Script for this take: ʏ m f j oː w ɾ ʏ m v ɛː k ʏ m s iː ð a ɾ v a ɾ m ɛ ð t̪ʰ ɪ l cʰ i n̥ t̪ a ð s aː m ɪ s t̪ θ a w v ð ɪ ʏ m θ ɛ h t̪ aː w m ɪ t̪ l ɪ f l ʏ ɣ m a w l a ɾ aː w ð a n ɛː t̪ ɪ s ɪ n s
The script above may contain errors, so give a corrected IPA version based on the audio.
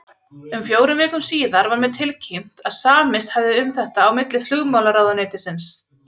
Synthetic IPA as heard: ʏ m f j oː w ɾ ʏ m v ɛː k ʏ m s iː ð a ɾ v a ɾ m ɛ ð t̪ʰ ɪ l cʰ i m̥ t̪ a ð s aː m ɪ s t̪ h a v ð ɪ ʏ m θ ɛ h t̪ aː w m ɪ t̪ l ɪ f l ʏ ɣ m a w l a ɾ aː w ð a n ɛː t̪ ɪ s ɪ n s